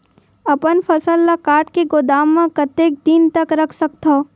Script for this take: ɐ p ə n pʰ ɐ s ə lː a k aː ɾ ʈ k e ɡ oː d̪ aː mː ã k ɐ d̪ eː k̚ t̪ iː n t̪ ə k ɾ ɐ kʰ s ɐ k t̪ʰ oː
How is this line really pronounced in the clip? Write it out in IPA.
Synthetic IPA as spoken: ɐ p ə n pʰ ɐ s ə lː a k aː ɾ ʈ k e ɡ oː d̪ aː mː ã k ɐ t̪ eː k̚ d̪ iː n t̪ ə k ɾ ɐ kʰ s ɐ k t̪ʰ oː